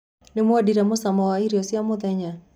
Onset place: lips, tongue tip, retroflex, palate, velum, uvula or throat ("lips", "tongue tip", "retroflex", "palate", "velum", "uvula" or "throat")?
tongue tip